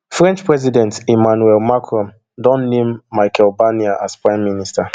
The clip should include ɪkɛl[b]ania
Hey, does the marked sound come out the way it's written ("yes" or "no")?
yes